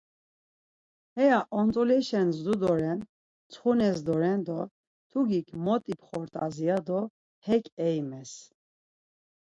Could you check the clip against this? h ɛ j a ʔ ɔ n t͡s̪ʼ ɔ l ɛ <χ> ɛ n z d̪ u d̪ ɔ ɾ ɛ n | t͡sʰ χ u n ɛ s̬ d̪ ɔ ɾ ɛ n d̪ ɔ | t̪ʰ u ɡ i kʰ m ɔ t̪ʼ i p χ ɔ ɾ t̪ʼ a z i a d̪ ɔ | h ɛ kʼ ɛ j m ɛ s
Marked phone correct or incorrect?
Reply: incorrect